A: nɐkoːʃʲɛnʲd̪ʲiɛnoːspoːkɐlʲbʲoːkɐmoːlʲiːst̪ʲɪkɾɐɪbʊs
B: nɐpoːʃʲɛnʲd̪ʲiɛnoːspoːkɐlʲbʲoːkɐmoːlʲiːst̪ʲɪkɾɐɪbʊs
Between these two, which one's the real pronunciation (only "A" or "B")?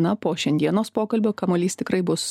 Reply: B